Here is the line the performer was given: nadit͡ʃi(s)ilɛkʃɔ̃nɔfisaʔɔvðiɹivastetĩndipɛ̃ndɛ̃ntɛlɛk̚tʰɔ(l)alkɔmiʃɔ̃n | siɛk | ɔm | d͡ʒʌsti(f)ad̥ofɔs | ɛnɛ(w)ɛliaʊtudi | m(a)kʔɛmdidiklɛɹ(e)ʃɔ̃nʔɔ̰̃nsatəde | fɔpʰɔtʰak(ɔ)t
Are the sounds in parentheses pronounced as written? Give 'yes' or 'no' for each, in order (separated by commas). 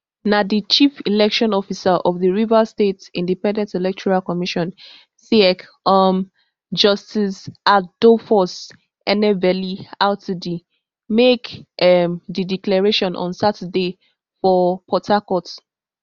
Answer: no, no, no, no, no, yes, yes